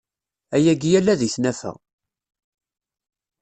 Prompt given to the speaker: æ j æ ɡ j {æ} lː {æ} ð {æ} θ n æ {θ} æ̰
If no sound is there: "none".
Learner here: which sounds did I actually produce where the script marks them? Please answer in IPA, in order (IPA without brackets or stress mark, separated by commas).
æ, æ, i, f